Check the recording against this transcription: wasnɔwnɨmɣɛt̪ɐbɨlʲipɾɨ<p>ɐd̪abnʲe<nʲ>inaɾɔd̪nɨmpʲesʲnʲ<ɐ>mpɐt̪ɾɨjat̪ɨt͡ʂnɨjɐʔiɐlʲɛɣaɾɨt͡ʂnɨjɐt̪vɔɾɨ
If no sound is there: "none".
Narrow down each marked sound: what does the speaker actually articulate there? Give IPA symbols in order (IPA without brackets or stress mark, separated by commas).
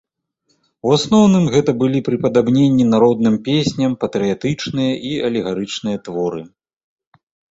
p, nʲː, ɐ